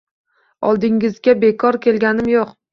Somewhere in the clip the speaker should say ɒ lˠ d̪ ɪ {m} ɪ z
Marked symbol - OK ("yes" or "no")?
no